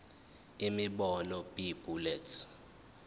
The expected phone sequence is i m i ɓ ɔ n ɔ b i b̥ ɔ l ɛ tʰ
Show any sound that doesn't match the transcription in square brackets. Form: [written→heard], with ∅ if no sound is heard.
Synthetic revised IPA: i m i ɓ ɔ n ɔ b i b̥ [ɔ→u] l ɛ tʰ